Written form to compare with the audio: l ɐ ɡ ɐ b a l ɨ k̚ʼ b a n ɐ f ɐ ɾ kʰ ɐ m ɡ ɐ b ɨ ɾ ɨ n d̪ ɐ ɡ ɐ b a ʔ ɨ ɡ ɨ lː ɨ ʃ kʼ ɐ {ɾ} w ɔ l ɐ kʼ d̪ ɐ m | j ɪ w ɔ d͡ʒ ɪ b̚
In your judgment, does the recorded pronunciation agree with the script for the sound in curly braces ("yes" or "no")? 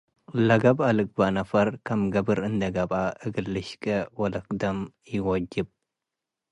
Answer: no